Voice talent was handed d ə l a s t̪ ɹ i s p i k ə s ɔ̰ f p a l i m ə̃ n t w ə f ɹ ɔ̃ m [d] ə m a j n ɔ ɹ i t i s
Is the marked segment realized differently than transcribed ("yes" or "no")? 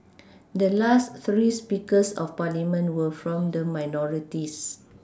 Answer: no